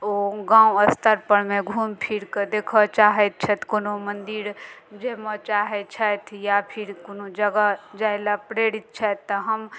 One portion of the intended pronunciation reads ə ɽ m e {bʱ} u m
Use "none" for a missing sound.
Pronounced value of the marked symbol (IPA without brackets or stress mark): ɡʱ